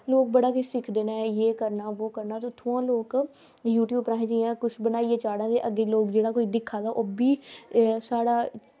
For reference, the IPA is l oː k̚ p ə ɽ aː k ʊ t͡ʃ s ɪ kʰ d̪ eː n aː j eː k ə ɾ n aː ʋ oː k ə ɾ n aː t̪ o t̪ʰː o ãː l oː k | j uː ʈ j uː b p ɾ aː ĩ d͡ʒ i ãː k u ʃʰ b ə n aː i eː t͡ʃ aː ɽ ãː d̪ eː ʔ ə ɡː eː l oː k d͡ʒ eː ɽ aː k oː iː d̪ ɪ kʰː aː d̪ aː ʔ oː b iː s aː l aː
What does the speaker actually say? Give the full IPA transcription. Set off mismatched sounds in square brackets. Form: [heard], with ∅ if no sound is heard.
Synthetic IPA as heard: l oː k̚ [b] ə ɽ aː k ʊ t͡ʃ s ɪ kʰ d̪ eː n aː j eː k ə ɾ n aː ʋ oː k ə ɾ n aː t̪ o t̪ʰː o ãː l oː k | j uː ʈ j uː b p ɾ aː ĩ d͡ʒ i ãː k [ʊ] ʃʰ b ə n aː i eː t͡ʃ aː ɽ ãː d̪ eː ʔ ə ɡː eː l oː k d͡ʒ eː ɽ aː k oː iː d̪ ɪ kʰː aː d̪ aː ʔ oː b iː s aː [ɽ] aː